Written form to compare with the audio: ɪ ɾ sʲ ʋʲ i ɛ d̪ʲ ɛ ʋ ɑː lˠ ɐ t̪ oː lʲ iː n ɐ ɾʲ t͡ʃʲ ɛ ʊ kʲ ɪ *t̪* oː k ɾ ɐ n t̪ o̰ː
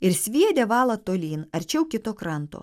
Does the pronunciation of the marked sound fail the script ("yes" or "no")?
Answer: no